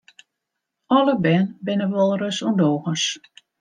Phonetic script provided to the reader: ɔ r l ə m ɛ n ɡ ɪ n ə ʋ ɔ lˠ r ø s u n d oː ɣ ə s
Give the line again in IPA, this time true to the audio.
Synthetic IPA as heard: ɔ l ə b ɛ n b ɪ n ə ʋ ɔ lˠ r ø s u n d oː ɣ ə s